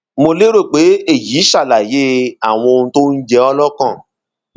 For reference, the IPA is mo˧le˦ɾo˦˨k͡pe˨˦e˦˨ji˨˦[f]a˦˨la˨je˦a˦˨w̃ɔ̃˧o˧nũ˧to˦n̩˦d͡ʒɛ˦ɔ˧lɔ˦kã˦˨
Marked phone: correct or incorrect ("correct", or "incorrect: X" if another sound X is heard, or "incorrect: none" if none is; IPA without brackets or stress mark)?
incorrect: ʃ